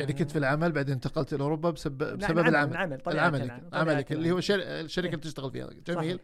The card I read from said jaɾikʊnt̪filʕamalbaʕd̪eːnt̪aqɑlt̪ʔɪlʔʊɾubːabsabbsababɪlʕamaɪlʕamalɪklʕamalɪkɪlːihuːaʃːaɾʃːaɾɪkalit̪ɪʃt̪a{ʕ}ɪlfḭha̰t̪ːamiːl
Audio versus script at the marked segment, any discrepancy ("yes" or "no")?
yes